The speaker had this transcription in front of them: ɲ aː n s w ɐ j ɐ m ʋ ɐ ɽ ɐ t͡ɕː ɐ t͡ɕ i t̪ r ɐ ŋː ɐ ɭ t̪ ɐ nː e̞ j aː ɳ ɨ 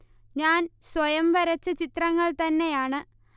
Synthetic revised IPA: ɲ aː n s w ɐ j ɐ m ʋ ɐ ɾ ɐ t͡ɕː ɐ t͡ɕ i t̪ r ɐ ŋː ɐ ɭ t̪ ɐ nː e̞ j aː ɳ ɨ